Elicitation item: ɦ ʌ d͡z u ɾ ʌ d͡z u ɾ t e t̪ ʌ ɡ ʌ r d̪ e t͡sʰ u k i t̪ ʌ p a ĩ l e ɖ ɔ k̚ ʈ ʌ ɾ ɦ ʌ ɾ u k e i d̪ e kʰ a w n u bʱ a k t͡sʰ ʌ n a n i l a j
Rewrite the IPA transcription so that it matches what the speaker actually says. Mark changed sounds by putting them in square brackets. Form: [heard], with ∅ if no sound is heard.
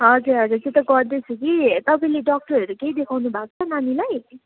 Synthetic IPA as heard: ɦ ʌ d͡z u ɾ ʌ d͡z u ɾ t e t̪ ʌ ɡ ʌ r d̪ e t͡sʰ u k i t̪ ʌ p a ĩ l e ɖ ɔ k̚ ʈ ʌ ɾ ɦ ʌ ɾ u k e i d̪ e kʰ a w n u bʱ a k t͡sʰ ʌ n a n i l a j